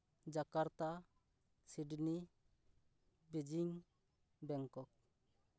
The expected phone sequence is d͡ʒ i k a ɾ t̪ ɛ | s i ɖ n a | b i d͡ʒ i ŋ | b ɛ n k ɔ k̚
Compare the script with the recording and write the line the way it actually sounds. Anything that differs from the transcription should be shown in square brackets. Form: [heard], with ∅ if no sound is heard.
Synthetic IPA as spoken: d͡ʒ [a] k a ɾ t̪ [a] | s i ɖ n [i] | b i d͡ʒ i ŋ | b ɛ [ŋ] k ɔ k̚